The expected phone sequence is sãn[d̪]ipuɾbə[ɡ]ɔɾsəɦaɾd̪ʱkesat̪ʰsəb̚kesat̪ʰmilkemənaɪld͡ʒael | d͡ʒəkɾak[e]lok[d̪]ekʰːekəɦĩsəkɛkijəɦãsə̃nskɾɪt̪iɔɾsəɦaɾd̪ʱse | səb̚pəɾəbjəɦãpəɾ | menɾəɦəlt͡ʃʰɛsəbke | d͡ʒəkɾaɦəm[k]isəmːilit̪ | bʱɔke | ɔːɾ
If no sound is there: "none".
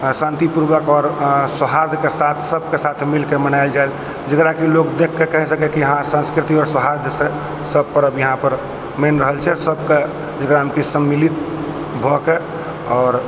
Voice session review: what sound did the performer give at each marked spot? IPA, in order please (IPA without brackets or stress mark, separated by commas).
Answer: t̪, k, i, d̪, k